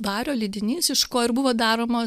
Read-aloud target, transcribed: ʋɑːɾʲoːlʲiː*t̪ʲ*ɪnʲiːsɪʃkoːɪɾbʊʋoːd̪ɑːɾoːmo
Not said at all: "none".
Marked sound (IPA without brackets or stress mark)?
d̪ʲ